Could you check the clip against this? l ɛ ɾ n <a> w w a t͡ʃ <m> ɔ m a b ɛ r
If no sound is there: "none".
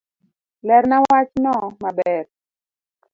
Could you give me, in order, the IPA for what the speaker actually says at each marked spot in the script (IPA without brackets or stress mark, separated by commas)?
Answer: a, n